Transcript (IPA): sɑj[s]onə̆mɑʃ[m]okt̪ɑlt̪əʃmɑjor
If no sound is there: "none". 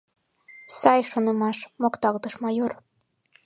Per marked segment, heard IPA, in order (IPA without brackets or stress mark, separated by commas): ʃ, m